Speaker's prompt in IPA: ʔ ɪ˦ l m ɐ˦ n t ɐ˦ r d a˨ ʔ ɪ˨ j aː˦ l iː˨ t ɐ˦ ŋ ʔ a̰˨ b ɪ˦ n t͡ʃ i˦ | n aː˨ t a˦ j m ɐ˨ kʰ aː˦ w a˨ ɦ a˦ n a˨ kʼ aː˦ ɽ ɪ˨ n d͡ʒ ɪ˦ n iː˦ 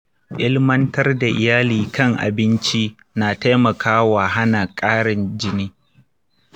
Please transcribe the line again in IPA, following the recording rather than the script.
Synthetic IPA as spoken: ʔ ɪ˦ l m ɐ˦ n t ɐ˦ r d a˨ ʔ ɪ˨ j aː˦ l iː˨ k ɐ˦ ŋ ʔ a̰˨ b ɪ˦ n t͡ʃ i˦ | n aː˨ t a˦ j m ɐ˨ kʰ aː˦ w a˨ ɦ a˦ n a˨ kʼ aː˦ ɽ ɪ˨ n d͡ʒ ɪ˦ n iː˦